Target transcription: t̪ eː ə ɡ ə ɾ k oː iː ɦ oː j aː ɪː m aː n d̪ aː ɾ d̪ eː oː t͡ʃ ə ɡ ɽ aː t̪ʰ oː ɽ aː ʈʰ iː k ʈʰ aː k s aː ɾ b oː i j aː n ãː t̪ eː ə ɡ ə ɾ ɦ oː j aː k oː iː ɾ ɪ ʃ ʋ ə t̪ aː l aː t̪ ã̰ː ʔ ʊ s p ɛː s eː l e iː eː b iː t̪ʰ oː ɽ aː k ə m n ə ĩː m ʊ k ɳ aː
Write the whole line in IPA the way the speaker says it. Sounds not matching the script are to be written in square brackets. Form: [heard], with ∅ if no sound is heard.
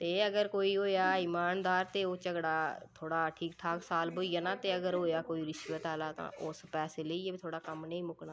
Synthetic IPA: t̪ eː ə ɡ ə ɾ k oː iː ɦ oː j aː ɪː m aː n d̪ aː ɾ [t̪] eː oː t͡ʃ ə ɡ ɽ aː t̪ʰ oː ɽ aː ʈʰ iː k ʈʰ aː k s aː [l] b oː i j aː n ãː t̪ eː ə ɡ ə ɾ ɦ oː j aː k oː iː ɾ ɪ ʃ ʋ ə t̪ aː l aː t̪ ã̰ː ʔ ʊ s p ɛː s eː l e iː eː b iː t̪ʰ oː ɽ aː k ə m n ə ĩː m ʊ k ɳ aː